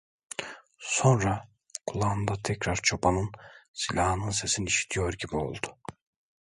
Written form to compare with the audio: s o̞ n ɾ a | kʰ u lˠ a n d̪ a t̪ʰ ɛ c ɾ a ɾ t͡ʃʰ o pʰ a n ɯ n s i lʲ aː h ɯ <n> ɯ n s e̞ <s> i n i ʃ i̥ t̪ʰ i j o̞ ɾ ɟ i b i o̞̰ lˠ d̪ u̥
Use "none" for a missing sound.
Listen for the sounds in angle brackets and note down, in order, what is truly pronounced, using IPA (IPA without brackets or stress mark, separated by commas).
n, s